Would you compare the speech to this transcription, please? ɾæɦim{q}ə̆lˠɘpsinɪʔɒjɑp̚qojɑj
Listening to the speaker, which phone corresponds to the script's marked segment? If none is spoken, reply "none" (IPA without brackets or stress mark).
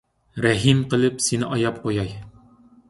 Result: q